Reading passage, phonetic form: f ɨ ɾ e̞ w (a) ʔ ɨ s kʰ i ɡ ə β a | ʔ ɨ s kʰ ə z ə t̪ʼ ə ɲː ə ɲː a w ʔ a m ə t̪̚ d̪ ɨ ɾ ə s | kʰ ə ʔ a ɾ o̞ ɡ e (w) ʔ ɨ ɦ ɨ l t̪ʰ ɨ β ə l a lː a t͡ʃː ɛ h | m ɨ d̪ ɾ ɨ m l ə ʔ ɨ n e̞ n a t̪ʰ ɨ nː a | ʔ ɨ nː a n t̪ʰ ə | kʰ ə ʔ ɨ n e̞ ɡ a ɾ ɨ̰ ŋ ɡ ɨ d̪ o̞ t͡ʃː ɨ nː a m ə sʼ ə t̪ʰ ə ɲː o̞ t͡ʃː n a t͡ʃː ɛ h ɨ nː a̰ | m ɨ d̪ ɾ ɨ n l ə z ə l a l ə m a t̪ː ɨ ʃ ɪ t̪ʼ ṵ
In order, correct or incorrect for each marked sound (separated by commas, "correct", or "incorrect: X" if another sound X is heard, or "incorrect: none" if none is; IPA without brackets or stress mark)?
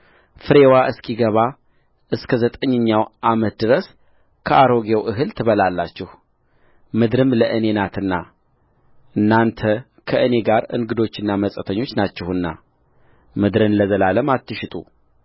correct, correct